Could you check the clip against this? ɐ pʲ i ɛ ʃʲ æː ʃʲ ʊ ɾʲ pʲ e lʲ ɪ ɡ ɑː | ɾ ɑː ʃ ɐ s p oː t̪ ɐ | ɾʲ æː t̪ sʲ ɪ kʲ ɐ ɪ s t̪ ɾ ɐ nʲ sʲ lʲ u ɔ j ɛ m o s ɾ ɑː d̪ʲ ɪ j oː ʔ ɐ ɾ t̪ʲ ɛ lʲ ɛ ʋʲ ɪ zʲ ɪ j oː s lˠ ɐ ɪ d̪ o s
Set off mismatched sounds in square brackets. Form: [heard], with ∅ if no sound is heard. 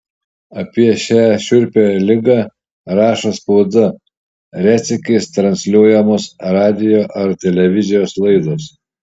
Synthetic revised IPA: ɐ pʲ i ɛ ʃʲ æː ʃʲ ʊ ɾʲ pʲ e lʲ ɪ ɡ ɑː | ɾ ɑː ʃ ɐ s p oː [d̪] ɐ | ɾʲ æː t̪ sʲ ɪ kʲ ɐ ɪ s t̪ ɾ ɐ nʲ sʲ lʲ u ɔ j ɛ m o s ɾ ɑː d̪ʲ ɪ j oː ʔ ɐ ɾ t̪ʲ ɛ lʲ ɛ ʋʲ ɪ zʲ ɪ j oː s lˠ ɐ ɪ d̪ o s